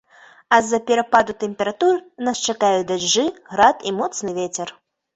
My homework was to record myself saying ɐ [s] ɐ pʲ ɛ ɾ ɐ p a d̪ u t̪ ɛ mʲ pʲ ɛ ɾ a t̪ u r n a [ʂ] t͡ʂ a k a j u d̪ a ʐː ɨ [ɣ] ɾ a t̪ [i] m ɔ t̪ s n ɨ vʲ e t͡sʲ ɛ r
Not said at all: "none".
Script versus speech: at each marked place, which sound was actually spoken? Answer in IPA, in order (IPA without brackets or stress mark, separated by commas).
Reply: z, s, ɣ, i